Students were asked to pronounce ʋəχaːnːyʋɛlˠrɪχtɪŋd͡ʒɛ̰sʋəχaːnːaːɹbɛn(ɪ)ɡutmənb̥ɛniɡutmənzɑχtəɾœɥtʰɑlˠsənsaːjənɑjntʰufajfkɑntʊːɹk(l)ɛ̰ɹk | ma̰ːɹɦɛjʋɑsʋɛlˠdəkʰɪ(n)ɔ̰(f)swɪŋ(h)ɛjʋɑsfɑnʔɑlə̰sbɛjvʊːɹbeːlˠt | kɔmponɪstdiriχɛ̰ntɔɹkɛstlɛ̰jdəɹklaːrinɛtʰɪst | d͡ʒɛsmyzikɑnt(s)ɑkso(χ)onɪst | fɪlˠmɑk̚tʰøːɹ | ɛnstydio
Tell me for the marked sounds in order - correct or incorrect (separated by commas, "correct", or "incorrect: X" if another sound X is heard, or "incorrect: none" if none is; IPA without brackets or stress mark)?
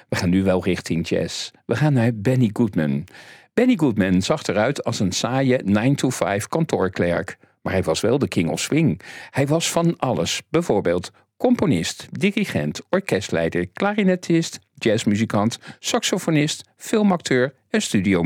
incorrect: i, correct, incorrect: ŋ, correct, correct, correct, incorrect: f